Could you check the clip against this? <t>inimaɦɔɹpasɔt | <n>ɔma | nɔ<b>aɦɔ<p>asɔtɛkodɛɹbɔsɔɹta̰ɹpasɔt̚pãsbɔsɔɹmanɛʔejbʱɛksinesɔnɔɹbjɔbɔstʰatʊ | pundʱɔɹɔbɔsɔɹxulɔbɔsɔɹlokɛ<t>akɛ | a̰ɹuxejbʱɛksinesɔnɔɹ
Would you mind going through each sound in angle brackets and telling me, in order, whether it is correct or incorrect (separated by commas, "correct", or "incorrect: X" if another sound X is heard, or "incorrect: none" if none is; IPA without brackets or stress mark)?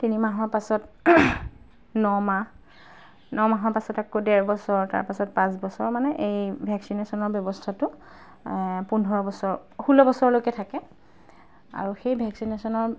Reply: correct, correct, incorrect: m, correct, incorrect: tʰ